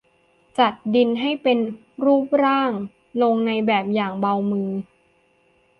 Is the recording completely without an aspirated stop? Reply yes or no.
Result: yes